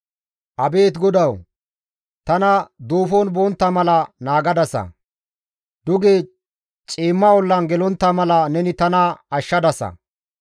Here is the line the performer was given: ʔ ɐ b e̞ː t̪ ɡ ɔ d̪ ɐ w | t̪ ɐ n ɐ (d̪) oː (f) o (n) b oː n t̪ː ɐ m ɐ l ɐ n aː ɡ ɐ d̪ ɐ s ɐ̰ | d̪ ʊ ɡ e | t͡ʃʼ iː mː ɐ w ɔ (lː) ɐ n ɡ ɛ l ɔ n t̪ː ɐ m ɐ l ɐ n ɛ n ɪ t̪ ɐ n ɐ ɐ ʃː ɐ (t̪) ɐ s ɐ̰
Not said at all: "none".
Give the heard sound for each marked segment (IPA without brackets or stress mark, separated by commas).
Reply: d̪, f, n, lː, d̪